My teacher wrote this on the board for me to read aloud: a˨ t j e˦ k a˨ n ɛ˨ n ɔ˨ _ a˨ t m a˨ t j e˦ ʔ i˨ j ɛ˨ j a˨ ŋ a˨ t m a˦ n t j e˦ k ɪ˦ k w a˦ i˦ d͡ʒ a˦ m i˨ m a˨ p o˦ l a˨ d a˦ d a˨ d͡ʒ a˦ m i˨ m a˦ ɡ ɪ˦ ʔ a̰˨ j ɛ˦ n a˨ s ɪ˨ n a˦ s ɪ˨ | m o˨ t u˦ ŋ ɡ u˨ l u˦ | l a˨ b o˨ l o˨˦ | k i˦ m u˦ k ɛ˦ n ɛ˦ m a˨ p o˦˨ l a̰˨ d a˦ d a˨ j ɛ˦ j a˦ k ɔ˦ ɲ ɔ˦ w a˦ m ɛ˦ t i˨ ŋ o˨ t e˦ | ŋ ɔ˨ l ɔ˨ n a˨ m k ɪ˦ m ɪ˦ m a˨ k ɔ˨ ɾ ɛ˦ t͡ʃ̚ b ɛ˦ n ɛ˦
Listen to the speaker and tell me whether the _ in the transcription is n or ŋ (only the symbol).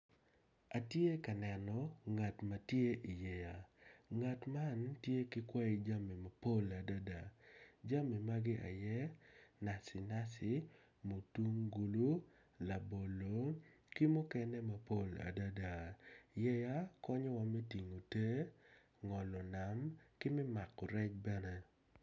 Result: ŋ